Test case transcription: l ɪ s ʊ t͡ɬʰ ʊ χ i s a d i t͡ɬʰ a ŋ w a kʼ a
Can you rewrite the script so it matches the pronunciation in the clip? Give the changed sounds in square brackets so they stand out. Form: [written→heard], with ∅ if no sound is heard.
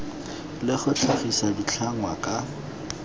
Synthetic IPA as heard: l ɪ [s→χ] ʊ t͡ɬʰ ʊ χ i s a d i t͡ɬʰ a ŋ w a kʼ a